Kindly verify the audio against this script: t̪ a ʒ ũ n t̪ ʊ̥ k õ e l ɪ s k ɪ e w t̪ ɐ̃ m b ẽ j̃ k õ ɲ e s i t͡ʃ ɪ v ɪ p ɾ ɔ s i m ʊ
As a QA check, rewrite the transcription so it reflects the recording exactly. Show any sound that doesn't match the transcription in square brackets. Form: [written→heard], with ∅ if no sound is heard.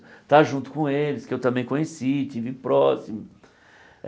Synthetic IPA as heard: t̪ a ʒ ũ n t̪ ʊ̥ k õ e l ɪ s k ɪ e w t̪ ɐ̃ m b ẽ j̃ k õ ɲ e s i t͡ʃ [ɪ→i] v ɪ p ɾ ɔ s i m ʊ